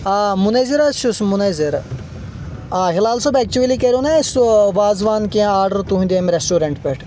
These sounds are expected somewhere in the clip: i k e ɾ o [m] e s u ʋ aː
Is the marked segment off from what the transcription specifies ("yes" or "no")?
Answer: yes